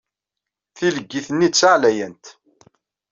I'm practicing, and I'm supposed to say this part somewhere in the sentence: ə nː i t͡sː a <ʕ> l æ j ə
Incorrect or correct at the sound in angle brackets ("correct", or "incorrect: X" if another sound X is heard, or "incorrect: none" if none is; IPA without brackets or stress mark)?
correct